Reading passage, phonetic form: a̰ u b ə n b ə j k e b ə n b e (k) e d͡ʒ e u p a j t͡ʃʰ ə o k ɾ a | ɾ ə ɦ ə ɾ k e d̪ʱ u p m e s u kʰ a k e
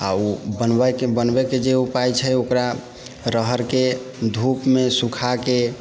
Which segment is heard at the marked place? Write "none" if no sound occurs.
k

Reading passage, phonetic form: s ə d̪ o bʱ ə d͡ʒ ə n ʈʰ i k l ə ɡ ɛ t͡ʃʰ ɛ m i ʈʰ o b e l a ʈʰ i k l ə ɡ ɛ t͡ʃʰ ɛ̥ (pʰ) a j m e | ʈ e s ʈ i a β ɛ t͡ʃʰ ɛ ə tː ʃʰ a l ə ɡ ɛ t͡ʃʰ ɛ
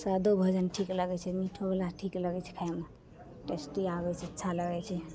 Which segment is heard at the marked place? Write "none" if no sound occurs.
kʰ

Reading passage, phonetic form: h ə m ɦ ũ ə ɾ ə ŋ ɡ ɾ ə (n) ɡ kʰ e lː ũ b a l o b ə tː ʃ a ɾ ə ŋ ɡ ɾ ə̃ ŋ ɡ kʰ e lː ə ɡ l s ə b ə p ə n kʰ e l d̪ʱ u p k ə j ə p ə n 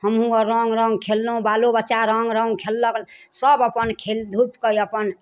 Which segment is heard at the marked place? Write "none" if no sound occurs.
ŋ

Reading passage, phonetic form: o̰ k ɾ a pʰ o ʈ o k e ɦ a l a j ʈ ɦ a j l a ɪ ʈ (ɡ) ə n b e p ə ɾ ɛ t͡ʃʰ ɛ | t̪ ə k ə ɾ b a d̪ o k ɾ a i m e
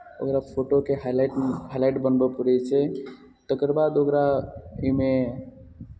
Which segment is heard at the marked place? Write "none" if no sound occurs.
b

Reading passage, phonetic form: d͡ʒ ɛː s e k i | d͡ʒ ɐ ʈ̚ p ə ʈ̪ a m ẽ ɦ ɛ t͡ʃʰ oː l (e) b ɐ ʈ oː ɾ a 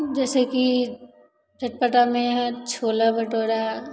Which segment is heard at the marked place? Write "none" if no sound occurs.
a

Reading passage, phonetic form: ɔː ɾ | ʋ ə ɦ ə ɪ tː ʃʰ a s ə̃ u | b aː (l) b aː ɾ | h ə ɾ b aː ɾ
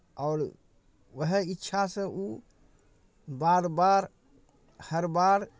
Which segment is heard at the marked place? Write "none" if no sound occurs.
ɾ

